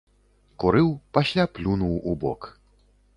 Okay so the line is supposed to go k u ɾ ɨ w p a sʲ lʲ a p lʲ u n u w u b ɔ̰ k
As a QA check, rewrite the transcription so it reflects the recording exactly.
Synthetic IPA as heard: k u ɾ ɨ w p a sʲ lʲ a p lʲ u n u w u b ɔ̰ k